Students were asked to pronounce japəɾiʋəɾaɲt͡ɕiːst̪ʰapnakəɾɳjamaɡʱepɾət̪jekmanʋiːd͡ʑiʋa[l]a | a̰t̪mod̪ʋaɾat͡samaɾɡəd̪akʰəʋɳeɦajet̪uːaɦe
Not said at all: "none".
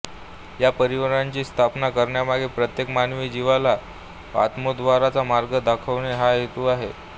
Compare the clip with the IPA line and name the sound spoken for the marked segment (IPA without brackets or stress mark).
l